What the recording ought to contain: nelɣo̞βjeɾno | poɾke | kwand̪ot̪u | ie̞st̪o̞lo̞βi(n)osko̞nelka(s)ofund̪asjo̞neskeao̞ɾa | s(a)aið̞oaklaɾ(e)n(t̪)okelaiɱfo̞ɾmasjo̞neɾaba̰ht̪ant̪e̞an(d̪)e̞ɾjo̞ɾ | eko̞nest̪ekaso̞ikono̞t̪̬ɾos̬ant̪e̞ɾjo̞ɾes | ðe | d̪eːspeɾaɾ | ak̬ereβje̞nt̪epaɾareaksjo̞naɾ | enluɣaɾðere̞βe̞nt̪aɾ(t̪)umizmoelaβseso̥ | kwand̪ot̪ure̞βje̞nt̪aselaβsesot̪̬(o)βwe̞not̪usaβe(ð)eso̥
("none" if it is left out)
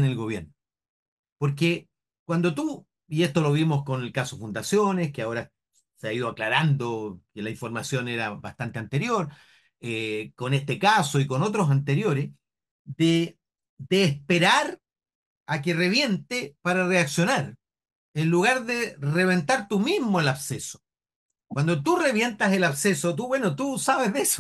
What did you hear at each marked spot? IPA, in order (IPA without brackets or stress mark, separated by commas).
m, s, e, a, d̪, t̪, t̪, u, ð